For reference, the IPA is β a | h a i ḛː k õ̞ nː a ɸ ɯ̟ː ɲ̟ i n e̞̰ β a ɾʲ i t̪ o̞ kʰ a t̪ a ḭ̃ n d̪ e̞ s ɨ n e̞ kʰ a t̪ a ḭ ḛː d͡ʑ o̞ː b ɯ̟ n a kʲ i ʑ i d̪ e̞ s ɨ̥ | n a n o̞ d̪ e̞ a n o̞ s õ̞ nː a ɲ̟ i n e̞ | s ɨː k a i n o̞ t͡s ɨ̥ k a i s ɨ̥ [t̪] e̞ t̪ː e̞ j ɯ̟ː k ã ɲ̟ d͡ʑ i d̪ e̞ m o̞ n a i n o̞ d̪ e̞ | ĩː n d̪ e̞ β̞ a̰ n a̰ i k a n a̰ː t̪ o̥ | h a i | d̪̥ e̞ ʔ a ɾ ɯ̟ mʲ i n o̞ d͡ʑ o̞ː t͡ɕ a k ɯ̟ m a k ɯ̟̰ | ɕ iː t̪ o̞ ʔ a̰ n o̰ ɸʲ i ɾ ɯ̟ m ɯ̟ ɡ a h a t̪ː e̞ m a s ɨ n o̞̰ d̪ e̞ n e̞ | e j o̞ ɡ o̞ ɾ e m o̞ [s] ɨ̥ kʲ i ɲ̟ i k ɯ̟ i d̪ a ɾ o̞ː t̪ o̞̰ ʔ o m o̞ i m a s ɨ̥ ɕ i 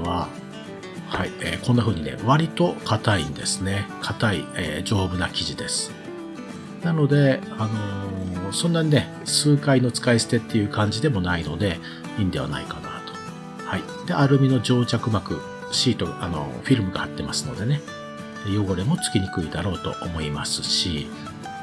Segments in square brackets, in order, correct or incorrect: correct, incorrect: t͡s

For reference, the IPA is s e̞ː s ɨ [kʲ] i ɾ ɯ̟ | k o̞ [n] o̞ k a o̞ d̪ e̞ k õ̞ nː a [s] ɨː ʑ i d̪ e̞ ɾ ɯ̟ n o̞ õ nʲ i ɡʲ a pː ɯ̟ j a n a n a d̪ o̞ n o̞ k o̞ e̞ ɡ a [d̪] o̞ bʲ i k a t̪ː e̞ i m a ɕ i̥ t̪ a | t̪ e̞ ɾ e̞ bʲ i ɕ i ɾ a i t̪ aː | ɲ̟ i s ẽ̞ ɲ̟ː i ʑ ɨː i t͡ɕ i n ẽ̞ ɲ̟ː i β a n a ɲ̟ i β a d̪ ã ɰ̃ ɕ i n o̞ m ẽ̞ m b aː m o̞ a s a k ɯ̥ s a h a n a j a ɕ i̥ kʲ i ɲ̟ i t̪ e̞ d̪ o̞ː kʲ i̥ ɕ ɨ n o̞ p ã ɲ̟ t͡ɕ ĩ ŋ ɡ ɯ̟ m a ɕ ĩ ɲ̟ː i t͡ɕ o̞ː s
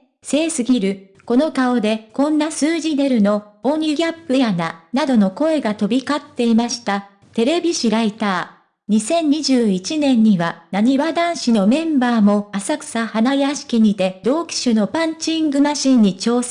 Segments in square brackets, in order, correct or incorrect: incorrect: ɡʲ, correct, correct, incorrect: t̪

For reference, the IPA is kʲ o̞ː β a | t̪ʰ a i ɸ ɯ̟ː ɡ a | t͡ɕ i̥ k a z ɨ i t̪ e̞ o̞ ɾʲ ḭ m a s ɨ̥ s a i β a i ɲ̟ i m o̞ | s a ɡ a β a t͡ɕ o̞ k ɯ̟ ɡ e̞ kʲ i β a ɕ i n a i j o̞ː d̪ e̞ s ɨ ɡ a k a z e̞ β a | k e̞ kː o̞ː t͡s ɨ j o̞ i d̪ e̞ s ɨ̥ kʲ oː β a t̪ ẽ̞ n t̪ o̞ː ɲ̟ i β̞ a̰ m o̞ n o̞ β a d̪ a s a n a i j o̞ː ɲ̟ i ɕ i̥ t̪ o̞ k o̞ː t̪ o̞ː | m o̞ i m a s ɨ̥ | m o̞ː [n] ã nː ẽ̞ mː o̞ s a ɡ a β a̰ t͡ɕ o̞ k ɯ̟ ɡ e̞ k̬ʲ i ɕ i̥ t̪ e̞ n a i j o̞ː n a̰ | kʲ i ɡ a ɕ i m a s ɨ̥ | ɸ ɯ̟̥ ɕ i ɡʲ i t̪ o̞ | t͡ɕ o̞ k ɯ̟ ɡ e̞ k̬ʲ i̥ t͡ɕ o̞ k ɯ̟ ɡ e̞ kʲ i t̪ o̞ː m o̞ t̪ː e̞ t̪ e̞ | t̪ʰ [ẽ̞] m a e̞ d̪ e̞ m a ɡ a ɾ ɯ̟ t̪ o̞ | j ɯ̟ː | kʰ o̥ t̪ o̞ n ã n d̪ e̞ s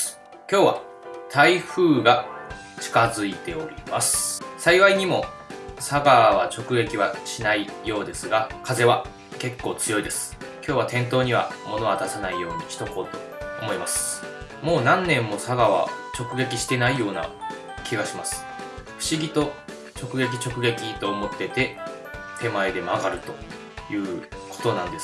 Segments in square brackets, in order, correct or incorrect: correct, incorrect: e̞

